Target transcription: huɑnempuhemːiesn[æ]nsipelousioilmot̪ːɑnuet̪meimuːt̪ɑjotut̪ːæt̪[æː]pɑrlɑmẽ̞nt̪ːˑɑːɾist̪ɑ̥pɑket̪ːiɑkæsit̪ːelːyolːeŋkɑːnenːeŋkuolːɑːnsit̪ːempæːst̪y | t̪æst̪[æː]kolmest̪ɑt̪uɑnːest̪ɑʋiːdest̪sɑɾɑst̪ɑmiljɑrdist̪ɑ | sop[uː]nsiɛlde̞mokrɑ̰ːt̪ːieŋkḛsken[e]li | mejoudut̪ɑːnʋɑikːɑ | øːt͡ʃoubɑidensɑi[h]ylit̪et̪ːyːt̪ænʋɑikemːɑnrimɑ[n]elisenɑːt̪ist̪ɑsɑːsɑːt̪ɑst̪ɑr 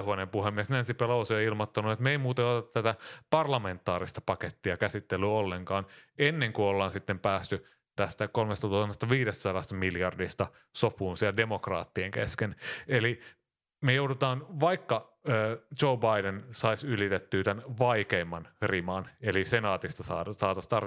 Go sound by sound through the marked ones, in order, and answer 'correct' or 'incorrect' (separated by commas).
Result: correct, incorrect, incorrect, correct, correct, incorrect, correct